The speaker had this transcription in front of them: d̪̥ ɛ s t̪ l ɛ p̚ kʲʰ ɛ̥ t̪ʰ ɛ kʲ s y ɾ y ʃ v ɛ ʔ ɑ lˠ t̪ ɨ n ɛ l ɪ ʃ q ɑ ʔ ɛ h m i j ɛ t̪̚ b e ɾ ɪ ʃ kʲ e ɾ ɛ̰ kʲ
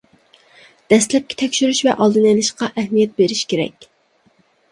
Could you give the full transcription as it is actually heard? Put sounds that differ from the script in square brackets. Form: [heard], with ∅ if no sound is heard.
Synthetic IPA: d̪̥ ɛ s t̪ l ɛ p̚ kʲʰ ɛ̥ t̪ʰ ɛ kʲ [ʃ] y ɾ y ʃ v ɛ ʔ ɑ lˠ [d̪] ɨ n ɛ l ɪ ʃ q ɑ ʔ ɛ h m i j ɛ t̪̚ b e ɾ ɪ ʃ kʲ e ɾ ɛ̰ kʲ